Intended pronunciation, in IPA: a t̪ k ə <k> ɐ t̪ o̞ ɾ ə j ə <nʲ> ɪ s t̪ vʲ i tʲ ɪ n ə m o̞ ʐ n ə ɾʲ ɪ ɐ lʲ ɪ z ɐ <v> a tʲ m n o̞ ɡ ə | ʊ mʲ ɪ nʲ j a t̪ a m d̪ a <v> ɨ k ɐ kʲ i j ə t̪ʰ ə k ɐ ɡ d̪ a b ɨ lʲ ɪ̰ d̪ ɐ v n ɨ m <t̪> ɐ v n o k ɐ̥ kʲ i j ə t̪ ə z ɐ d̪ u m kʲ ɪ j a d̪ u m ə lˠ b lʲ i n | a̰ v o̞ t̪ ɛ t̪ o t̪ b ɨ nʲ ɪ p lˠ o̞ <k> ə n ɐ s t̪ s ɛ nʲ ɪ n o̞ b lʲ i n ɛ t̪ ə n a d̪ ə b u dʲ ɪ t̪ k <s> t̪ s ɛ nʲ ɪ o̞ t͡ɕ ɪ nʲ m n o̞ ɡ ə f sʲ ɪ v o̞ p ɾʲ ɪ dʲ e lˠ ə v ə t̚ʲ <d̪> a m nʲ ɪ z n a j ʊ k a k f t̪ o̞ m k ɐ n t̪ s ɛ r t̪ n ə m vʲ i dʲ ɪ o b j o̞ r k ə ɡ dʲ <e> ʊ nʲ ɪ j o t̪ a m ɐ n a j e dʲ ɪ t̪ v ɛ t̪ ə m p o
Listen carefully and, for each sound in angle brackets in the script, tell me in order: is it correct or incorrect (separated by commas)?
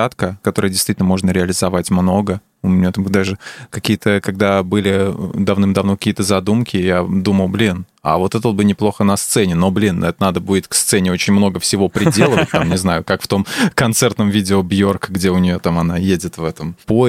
correct, incorrect, correct, incorrect, incorrect, incorrect, correct, incorrect, correct